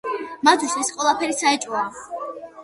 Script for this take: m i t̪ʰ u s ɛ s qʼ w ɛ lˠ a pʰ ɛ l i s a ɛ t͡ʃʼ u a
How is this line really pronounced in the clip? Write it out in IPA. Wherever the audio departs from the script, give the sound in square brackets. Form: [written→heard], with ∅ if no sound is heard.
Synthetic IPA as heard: m [i→a] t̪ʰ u s ɛ s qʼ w ɛ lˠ a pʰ ɛ [l→ɾ] i s a ɛ t͡ʃʼ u a